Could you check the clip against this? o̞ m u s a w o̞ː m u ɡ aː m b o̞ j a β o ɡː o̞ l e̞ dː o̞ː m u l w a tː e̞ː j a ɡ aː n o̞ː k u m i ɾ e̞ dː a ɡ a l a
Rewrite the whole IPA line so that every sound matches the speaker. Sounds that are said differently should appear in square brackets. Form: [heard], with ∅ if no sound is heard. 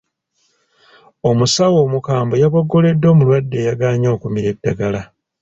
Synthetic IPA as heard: o̞ m u s a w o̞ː m u [k] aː m b o̞ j a β o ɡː o̞ l e̞ dː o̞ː m u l w a [dː] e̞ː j a ɡ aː [ɲ] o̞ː k u m i ɾ e̞ dː a ɡ a l a